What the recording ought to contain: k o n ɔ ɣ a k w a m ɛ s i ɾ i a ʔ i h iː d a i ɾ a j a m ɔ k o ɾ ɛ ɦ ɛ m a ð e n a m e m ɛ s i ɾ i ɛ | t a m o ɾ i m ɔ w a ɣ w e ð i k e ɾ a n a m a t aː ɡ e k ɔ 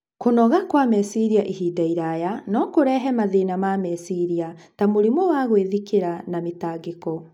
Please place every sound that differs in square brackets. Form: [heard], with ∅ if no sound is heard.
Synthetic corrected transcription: k o n ɔ ɣ a k w a m ɛ s i ɾ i a ʔ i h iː d a i ɾ a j a [n] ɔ k o ɾ ɛ ɦ ɛ m a ð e n a m [a] m ɛ s i ɾ i [a] | t a m o ɾ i m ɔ w a ɣ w e ð i k e ɾ a n a m [e] t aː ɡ e k ɔ